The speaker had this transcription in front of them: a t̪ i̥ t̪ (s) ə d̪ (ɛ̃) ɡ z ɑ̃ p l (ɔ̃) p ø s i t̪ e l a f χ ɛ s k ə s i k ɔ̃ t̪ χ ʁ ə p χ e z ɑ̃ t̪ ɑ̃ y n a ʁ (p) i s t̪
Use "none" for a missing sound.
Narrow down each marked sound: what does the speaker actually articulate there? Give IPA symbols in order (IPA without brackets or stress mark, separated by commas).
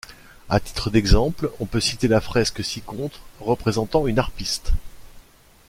χ, ɛ, ɔ̃, p